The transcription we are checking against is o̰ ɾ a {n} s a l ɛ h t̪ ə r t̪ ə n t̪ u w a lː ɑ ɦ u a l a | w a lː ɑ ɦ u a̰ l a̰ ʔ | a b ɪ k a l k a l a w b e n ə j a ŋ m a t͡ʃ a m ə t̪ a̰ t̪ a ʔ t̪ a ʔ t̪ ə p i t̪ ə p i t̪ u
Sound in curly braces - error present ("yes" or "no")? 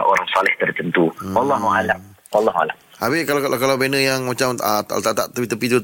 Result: yes